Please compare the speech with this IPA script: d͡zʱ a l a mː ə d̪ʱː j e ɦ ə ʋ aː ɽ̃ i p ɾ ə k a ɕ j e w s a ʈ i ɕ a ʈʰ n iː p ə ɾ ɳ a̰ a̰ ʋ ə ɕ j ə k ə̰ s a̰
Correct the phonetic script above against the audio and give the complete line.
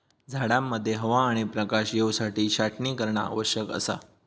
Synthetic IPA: d͡zʱ a ɽ a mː ə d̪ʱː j e ɦ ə ʋ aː ɽ̃ i p ɾ ə k a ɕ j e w s a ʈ iː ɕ a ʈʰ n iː k ə ɾ ɳ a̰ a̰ ʋ ə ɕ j ə k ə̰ s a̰

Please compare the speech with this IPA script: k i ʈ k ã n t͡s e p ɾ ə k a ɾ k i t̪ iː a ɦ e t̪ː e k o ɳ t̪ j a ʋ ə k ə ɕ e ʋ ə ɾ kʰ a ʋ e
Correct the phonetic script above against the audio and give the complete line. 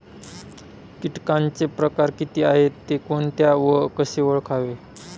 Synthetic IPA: k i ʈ k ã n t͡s e p ɾ ə k a ɾ k i t̪ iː a ɦ e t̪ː e k o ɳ t̪ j a ʋ ə k ə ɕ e ʋ ə ɭ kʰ a ʋ e

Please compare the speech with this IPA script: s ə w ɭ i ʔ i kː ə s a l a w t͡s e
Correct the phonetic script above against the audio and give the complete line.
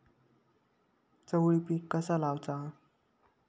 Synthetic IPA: t͡s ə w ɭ i p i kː ə s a l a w t͡s a

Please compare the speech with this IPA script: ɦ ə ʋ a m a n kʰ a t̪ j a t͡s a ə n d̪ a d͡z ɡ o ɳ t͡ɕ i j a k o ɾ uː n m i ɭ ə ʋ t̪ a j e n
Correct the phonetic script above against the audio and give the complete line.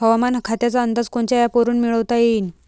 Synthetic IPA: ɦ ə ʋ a m a n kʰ a t̪ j a t͡s a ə n d̪ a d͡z k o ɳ t͡ɕ a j a p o ɾ uː n m i ɭ ə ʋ t̪ a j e n

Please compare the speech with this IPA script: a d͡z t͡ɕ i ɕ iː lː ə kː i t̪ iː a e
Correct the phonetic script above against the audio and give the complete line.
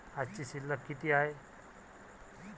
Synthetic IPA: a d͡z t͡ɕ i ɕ i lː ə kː i t̪ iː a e

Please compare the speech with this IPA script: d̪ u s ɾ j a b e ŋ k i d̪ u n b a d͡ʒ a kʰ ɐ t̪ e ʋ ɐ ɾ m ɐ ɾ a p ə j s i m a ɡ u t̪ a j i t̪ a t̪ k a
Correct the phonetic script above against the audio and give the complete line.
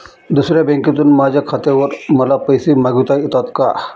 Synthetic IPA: d̪ u s ɾ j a b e ŋ k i t̪ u n m a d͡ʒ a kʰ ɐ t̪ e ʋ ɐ ɾ m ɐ l a p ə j s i m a ɡ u t̪ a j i t̪ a t̪ k a

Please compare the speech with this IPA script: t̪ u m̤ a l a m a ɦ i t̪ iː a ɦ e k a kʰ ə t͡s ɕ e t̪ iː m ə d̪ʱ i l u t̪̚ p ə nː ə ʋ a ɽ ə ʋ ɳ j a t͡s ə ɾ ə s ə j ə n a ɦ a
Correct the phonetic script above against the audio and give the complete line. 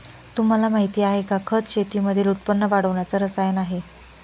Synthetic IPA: t̪ u m̤ a l a m a ɦ i t̪ iː a ɦ e k a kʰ ə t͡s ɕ e t̪ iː m ə d̪ʱ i l u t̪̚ p ə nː ə ʋ a ɽ ə ʋ ɳ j a t͡s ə ɾ ə s a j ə n a ɦ e

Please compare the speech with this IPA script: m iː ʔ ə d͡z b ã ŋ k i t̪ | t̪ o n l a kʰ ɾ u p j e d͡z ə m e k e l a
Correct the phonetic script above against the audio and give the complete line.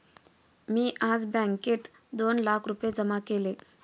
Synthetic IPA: m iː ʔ a d͡z b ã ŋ k e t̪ | d̪ o n l a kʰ ɾ u p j e d͡z ə m a k e l e

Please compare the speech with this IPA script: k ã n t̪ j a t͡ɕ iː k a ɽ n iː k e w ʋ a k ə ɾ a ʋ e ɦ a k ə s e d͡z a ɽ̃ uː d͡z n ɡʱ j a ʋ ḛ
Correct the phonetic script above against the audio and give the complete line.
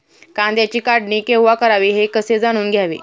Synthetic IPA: k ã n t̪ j a t͡ɕ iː k a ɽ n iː k e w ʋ a k ə ɾ a ʋ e ɦ e k ə s e d͡z a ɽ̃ uː n ɡʱ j a ʋ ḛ

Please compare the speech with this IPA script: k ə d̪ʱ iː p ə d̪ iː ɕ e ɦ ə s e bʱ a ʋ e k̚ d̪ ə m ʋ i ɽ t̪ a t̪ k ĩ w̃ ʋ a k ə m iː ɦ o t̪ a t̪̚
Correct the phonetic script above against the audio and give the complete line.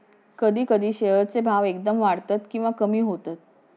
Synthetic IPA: k ə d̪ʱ iː k ə d̪ iː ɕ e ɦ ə t͡s e bʱ a ʋ e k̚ d̪ ə m ʋ a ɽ t̪ a t̪ k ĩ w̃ ʋ a k ə m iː ɦ o t̪ a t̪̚

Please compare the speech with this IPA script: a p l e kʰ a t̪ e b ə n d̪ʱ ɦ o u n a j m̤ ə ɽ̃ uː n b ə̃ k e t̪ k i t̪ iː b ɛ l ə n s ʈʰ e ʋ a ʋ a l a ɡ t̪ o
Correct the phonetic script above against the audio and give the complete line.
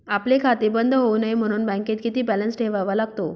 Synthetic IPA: a p l e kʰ a t̪ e b ə n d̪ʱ ɦ o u n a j m̤ ə ɽ̃ uː n b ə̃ k e t̪ k i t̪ iː b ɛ l ə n s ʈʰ e ʋ a ʋ a l a ɡ t̪ o

